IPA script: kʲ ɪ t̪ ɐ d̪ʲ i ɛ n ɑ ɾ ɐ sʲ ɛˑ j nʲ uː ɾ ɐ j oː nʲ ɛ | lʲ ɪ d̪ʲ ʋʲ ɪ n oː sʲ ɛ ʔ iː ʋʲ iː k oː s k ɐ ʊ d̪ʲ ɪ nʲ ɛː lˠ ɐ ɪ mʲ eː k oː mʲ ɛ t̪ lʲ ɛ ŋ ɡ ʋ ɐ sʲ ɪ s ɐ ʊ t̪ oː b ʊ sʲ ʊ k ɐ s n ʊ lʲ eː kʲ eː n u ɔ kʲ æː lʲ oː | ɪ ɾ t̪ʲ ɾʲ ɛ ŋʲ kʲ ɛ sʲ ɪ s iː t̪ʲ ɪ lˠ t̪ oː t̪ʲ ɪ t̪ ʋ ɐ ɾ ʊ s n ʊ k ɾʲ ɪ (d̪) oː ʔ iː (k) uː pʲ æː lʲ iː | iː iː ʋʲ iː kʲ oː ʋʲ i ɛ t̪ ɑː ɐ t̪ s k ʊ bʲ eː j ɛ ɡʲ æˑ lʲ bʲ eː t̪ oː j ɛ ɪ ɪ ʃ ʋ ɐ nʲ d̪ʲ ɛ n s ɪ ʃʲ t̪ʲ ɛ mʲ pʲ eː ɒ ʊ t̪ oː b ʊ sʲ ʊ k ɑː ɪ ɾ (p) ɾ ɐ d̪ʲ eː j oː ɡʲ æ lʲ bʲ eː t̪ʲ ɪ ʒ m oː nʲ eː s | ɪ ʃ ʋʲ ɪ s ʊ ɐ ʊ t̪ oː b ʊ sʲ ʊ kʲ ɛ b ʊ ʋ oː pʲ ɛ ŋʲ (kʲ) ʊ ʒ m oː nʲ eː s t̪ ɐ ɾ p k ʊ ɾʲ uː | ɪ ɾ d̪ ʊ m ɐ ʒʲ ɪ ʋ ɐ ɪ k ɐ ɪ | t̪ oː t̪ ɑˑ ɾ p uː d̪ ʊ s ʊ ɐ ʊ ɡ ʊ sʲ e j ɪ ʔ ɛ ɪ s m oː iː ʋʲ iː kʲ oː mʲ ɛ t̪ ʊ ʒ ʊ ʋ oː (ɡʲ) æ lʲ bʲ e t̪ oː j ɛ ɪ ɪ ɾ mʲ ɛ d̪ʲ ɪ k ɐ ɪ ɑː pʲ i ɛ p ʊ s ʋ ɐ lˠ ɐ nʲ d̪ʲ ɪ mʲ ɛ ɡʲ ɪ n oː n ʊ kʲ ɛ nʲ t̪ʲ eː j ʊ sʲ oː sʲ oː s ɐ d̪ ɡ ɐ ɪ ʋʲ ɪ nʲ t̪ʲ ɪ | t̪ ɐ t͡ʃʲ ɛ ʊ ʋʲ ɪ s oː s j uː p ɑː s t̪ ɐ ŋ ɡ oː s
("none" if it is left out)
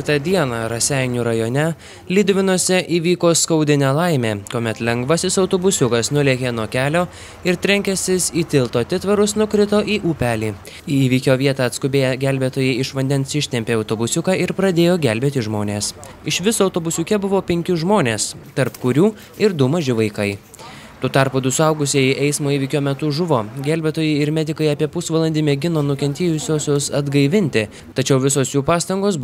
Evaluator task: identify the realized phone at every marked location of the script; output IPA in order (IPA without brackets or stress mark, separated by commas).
t̪, ʔ, p, kʲ, ɡʲ